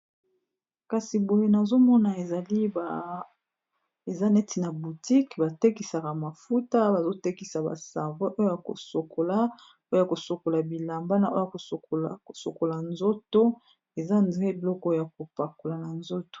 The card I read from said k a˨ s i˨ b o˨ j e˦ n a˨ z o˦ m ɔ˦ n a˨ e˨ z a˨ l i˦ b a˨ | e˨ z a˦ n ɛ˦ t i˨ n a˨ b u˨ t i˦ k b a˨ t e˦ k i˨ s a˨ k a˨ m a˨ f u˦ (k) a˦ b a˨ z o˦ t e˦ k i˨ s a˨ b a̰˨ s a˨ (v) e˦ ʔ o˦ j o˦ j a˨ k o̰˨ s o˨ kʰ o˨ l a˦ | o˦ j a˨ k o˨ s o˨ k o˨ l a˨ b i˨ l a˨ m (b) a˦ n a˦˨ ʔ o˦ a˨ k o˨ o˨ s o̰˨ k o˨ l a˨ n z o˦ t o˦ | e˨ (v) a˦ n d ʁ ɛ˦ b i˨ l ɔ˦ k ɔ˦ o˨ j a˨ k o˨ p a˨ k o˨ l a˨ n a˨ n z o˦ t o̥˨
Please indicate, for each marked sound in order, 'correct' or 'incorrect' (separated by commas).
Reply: incorrect, correct, correct, incorrect